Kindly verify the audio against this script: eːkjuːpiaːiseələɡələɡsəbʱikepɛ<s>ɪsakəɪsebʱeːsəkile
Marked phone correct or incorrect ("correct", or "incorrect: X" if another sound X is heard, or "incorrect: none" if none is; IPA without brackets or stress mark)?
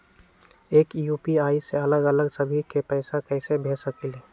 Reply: incorrect: none